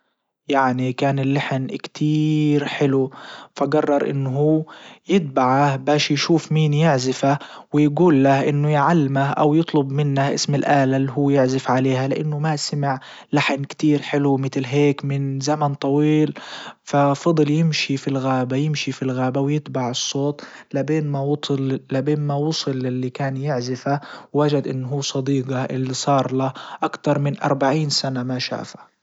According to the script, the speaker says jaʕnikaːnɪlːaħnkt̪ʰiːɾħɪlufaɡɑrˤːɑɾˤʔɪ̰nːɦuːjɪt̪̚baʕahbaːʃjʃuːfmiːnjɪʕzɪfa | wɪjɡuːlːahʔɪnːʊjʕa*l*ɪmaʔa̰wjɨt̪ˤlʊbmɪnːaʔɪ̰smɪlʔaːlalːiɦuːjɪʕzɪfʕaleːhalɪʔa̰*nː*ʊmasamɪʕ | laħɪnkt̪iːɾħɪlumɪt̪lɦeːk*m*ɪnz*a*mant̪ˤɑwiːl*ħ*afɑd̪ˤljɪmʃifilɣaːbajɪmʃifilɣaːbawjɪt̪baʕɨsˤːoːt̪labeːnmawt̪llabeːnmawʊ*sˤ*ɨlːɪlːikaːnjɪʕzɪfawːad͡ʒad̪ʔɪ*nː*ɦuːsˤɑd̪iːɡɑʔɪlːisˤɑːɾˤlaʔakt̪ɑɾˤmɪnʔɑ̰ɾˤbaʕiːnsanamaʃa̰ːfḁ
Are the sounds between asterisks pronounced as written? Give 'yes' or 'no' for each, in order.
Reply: no, yes, yes, yes, no, yes, yes

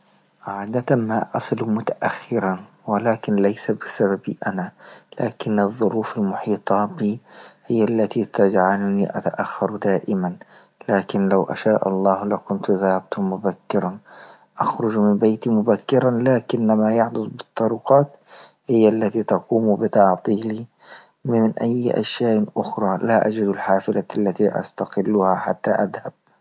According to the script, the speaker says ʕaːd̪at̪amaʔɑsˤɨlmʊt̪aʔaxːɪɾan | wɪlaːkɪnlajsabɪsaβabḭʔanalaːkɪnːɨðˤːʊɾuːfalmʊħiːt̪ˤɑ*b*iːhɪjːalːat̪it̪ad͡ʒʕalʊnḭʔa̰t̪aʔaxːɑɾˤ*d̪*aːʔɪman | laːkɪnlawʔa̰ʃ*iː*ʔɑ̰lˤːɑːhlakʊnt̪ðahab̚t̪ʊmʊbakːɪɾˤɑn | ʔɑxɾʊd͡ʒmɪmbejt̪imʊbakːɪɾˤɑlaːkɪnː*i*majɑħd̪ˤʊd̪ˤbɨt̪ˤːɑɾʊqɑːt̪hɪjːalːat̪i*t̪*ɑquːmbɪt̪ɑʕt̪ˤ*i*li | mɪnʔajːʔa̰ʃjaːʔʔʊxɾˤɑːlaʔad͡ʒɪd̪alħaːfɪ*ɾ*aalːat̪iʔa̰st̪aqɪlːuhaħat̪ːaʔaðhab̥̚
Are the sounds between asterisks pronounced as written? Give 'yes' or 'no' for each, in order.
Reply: yes, yes, no, no, yes, no, no

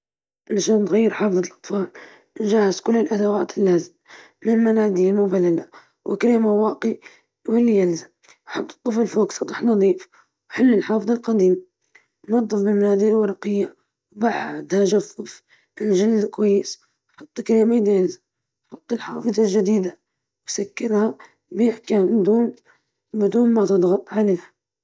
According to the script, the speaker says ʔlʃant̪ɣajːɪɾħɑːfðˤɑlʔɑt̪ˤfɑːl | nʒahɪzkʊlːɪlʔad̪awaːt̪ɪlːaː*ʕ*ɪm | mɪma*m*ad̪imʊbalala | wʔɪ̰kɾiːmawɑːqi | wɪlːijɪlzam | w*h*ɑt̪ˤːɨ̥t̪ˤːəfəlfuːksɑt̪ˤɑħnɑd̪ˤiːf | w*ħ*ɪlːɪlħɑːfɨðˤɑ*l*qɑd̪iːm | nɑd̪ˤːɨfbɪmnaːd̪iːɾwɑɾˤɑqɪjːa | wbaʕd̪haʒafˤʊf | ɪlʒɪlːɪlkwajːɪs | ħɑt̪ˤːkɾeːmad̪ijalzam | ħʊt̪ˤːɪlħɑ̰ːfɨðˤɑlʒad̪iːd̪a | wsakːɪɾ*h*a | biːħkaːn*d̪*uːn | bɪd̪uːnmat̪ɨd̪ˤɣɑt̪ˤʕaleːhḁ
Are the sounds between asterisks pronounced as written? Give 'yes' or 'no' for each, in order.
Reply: no, no, no, yes, yes, yes, yes

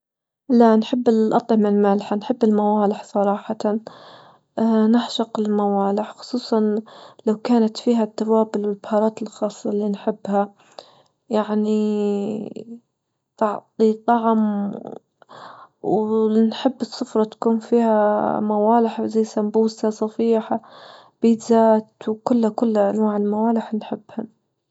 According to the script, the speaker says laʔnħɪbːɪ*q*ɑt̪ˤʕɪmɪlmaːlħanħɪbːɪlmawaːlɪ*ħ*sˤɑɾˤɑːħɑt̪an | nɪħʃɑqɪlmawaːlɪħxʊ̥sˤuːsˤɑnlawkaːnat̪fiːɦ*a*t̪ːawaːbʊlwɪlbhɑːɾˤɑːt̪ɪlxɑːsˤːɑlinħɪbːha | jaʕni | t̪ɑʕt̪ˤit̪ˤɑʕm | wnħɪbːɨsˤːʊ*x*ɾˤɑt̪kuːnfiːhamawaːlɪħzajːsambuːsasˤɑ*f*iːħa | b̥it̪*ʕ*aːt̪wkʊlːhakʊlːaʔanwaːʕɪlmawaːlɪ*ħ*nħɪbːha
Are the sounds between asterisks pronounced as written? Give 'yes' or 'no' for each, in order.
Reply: no, yes, yes, no, yes, no, yes

